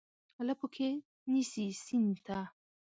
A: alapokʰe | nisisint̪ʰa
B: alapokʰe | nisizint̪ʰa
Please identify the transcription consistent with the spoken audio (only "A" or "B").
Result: A